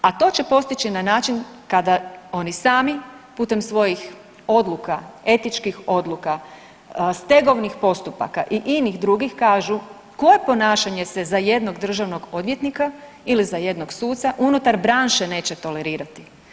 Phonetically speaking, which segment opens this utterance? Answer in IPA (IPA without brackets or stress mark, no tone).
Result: a